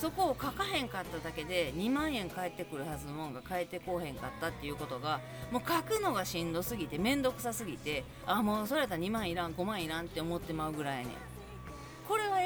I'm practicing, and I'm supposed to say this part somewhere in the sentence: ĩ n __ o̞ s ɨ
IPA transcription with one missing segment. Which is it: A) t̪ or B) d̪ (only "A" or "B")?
B